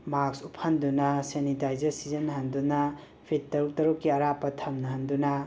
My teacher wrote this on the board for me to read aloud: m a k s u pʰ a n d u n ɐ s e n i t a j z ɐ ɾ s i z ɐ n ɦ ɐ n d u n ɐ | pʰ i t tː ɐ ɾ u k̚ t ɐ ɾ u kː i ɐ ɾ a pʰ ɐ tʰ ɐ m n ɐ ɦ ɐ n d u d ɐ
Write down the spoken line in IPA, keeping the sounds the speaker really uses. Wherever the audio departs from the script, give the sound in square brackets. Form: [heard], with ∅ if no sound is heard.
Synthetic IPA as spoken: m a k s u pʰ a n d u n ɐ s e n i t a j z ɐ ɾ s i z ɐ n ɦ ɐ n d u n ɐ | pʰ i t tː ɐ ɾ u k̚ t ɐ ɾ u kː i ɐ ɾ a [p] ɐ tʰ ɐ m n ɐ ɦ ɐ n d u [n] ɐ